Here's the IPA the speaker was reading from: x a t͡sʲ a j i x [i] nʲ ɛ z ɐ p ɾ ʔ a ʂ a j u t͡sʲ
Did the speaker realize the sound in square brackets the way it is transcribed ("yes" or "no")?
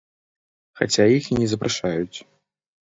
yes